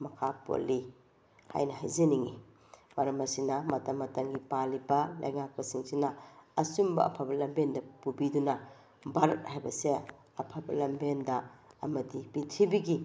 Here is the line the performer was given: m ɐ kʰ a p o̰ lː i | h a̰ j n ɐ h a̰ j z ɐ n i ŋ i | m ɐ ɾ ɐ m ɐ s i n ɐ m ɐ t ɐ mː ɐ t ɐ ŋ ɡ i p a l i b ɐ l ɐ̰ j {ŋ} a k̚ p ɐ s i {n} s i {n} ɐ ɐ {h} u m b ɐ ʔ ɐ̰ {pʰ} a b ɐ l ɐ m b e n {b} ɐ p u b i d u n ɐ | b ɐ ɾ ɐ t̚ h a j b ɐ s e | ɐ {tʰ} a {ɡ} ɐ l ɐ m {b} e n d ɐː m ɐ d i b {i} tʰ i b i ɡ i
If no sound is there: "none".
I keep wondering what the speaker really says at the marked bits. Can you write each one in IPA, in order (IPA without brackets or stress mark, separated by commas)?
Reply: ŋ, ŋ, n, s, pʰ, d, pʰ, b, b, i